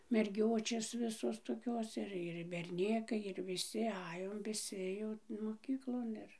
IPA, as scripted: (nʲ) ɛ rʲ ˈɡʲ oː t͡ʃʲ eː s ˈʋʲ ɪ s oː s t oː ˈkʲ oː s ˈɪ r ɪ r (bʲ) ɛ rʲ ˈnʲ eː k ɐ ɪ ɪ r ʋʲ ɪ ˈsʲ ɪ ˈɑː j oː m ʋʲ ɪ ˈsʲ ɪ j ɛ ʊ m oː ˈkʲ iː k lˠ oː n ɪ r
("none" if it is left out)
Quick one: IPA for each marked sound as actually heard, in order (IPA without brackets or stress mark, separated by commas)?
mʲ, bʲ